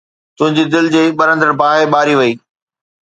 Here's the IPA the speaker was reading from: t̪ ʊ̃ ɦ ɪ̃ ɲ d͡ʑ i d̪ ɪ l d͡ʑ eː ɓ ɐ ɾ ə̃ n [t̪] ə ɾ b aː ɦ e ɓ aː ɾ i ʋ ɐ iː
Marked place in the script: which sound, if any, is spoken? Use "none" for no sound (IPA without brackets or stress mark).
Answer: d̪